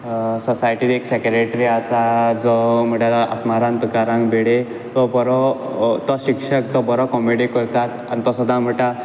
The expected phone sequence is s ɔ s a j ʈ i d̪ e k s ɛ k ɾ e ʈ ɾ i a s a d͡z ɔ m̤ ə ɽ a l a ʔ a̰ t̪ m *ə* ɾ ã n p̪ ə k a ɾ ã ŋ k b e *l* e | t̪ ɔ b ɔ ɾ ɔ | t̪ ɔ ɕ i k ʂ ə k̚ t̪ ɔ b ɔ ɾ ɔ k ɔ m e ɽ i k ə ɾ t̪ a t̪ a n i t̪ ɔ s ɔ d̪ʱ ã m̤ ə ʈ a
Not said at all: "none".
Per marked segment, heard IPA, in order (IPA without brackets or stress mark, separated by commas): a, ɽ